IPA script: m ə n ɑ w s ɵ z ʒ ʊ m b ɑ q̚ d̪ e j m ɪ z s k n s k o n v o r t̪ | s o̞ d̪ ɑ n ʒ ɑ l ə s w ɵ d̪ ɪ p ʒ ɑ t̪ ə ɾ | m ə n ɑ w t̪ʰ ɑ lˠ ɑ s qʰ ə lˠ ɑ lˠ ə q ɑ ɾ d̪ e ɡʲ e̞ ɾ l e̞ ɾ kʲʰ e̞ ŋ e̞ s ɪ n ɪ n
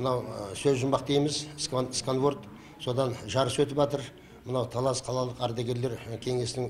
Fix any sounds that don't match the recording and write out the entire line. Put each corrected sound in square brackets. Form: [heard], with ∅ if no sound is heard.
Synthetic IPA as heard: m ə n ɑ w s ɵ z ʒ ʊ m b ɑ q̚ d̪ e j m ɪ z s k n s k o n v o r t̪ | s o̞ d̪ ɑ n ʒ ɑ [ɾ] ə s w ɵ [t̪] ɪ p ʒ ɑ t̪ ə ɾ | m ə n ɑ w t̪ʰ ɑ lˠ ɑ s qʰ [ɑ] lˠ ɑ lˠ ə q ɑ ɾ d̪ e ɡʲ e̞ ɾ l e̞ ɾ kʲʰ e̞ ŋ e̞ s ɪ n ɪ [ŋ]